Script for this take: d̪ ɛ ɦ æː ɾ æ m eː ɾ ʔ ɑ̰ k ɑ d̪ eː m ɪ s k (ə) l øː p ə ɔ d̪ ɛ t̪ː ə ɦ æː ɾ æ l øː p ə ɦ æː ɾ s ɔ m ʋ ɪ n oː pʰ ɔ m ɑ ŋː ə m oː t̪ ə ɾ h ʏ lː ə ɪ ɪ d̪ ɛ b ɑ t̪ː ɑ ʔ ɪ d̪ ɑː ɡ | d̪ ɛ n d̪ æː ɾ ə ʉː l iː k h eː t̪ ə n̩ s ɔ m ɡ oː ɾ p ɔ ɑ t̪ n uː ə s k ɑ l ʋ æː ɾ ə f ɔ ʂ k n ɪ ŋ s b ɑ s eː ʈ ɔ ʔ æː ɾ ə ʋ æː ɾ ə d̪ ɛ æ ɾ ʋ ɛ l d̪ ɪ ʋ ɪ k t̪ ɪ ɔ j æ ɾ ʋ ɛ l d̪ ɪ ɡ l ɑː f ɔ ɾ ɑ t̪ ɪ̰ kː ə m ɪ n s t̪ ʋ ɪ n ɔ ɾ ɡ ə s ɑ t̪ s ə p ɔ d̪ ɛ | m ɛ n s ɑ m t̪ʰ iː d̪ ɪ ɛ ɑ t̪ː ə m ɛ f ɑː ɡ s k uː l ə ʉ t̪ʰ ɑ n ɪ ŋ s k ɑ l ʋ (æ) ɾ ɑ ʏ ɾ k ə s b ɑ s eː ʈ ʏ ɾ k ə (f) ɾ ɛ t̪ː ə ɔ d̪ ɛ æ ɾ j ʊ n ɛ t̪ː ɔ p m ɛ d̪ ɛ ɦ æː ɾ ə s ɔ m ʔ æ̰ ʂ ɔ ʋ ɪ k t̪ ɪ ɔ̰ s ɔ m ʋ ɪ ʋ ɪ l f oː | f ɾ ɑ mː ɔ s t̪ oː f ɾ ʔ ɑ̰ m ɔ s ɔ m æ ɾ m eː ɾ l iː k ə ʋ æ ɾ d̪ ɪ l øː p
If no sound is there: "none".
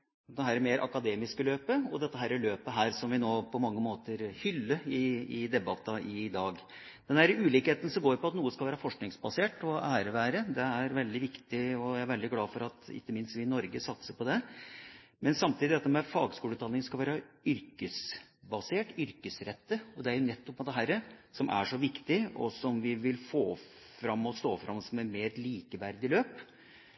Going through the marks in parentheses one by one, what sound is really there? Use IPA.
ə, æː, s

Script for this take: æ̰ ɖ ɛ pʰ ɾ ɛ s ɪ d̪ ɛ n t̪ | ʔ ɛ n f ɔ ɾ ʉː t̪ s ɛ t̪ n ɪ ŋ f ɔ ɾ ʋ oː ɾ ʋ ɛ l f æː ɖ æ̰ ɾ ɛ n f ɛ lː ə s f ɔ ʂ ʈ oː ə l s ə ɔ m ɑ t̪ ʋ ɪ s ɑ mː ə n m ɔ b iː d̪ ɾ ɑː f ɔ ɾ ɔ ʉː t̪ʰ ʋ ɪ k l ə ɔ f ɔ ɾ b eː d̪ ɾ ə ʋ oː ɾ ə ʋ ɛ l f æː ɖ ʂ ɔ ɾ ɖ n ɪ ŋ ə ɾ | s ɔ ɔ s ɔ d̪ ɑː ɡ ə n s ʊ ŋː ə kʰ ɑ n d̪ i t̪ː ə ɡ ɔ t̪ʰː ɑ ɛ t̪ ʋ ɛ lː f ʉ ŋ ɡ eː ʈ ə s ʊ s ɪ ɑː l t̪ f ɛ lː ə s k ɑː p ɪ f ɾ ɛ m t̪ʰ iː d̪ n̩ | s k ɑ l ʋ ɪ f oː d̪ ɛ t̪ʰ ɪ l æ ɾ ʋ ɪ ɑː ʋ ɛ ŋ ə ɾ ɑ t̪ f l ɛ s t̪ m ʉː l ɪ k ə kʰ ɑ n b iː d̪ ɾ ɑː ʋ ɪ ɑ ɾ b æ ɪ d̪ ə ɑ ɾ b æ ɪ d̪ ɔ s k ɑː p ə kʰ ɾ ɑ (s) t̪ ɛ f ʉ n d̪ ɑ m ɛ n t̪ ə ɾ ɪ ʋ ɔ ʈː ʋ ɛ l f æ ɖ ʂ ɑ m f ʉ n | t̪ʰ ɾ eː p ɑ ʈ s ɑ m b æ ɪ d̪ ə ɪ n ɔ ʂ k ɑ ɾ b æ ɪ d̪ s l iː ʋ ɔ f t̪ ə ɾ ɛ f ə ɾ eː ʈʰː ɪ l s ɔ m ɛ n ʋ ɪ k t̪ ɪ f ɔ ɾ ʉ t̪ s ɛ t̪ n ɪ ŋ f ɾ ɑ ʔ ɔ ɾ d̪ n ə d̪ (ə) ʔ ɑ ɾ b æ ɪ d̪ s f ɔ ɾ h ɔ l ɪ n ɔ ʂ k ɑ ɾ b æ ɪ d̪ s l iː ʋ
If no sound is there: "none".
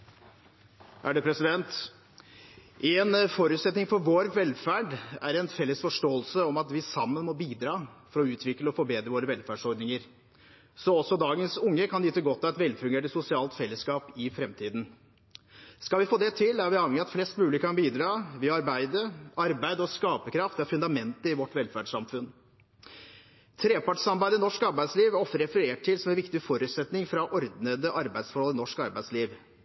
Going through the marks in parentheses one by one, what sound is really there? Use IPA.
f, ə

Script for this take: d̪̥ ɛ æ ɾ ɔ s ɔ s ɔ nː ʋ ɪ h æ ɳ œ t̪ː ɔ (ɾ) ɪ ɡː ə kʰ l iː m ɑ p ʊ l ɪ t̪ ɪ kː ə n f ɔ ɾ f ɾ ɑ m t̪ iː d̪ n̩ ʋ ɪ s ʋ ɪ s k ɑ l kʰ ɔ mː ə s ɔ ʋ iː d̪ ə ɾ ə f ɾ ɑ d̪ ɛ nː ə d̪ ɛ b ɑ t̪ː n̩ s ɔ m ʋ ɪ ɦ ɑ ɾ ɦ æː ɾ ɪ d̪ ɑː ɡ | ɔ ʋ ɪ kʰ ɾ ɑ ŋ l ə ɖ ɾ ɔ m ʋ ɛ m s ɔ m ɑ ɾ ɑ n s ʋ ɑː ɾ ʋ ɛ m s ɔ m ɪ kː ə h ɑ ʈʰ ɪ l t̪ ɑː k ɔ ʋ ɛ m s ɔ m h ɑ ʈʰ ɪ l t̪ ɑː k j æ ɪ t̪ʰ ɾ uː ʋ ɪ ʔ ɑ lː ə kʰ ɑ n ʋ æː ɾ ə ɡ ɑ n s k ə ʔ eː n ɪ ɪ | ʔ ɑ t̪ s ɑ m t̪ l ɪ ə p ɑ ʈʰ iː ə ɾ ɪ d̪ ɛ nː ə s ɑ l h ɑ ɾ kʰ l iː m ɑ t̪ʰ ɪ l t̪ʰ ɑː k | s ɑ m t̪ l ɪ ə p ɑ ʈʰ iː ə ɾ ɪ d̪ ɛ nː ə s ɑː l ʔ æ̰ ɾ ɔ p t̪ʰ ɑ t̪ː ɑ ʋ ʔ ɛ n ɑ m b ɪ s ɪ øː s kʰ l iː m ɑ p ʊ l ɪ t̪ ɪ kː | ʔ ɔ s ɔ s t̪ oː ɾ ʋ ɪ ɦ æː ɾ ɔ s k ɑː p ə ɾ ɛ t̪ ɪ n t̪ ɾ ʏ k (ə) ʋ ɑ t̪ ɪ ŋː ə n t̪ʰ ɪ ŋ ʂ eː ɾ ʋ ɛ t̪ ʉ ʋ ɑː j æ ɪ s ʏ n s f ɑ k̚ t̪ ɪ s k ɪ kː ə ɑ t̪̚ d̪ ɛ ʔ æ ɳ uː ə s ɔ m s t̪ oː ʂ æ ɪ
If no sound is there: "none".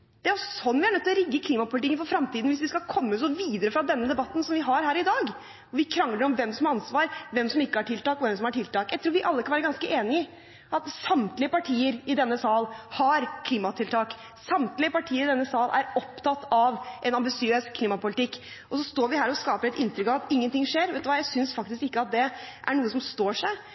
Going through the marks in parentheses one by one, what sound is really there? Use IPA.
ɾ, ɑ

